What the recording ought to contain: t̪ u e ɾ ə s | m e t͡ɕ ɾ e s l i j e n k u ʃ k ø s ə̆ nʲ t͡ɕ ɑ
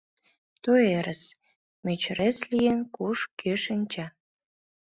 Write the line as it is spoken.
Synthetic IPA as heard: t̪ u e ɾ ə s | m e t͡ɕ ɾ e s l i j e n k u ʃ k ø ʃ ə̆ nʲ t͡ɕ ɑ